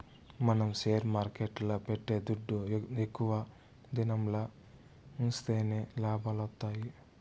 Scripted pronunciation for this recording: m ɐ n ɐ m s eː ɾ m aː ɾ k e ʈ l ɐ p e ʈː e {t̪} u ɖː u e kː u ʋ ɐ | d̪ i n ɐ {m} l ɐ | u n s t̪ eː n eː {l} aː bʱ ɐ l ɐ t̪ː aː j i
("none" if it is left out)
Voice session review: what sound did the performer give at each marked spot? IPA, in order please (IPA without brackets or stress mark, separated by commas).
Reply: d̪, m, l